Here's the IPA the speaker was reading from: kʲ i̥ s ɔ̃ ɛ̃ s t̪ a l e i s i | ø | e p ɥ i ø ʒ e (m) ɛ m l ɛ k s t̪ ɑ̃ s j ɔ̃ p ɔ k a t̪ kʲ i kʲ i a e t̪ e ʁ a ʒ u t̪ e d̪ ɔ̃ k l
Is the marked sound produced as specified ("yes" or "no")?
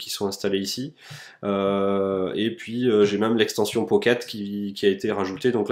yes